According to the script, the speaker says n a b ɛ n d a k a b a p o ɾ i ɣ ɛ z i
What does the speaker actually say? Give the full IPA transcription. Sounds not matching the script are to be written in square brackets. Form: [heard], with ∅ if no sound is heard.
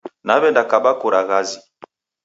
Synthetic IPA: n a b ɛ n d a k a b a [k] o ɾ [a] ɣ [a] z i